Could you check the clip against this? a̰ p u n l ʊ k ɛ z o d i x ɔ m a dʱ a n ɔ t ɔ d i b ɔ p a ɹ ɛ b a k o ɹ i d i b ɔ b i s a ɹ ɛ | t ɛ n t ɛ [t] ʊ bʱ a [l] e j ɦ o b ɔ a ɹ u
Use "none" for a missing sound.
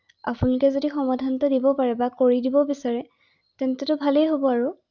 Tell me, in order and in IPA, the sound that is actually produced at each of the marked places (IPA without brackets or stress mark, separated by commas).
t, l